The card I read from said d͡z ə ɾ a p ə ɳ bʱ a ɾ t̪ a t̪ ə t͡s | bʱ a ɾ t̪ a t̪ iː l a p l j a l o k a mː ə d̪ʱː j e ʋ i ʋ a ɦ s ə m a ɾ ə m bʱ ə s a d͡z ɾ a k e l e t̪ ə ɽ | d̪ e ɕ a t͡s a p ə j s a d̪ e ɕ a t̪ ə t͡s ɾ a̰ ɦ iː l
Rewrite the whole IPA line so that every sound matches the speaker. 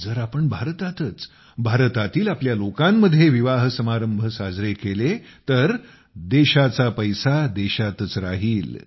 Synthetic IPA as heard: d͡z ə ɾ a p ə ɳ bʱ a ɾ t̪ a t̪ ə t͡s | bʱ a ɾ t̪ a t̪ iː l a p l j a l o k a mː ə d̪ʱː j e ʋ i ʋ a ɦ s ə m a ɾ ə m bʱ ə s a d͡z ɾ e k e l e t̪ ə ɾ | d̪ e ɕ a t͡s a p ə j s a d̪ e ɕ a t̪ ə t͡s ɾ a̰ ɦ iː l